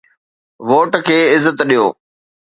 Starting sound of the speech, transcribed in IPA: ʋ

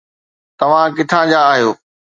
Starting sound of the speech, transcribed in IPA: t̪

